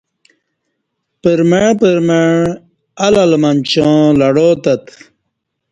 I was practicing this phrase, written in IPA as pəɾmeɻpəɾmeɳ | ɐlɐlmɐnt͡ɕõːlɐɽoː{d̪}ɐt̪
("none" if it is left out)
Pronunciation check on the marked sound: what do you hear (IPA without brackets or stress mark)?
t̪